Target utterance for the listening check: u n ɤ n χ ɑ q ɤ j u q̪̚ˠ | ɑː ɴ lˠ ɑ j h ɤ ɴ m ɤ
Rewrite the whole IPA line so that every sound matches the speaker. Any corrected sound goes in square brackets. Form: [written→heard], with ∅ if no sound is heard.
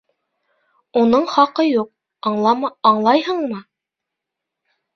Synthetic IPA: u n ɤ [n→ɴ] χ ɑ q ɤ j u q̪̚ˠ | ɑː ɴ lˠ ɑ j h ɤ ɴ m ɤ

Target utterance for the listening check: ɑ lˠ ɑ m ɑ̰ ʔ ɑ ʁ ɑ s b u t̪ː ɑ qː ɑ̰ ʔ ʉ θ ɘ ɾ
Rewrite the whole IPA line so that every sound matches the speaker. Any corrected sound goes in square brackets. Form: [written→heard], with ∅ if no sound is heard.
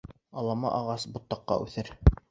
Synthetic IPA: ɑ lˠ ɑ m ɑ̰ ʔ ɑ ʁ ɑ s b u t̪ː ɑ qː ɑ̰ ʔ ʉ θ ɘ ɾ

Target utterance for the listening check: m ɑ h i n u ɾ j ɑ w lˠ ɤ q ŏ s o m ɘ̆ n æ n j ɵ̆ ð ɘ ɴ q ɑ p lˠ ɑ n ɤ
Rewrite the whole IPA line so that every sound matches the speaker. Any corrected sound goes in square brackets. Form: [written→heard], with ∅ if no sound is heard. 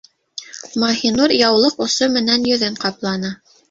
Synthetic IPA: m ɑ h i n u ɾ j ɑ w lˠ ɤ q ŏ s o m ɘ̆ n æ n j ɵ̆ ð ɘ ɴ q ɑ p lˠ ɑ n ɤ

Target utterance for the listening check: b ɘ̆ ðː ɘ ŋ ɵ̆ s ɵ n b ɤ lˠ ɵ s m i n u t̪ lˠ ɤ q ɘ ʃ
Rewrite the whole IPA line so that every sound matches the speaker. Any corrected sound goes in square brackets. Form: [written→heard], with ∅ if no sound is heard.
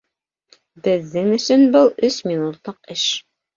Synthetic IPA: b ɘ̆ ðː ɘ ŋ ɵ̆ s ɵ n b ɤ lˠ ɵ s m i n u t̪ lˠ ɤ q ɘ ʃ

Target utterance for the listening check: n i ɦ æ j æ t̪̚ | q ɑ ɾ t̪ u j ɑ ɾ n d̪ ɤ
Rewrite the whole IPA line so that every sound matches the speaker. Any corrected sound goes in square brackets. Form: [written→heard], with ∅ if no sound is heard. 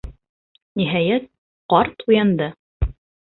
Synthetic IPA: n i ɦ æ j æ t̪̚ | q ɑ ɾ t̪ u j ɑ [ɾ→∅] n d̪ ɤ

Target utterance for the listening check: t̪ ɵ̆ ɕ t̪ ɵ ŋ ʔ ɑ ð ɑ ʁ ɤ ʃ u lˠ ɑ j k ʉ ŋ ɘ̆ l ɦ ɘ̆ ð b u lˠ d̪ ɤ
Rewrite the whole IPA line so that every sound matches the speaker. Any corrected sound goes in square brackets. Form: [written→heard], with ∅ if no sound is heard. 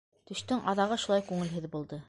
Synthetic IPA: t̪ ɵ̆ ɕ t̪ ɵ ŋ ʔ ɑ ð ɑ ʁ ɤ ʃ u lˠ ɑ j k ʉ ŋ ɘ̆ l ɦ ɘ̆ ð b u lˠ d̪ ɤ

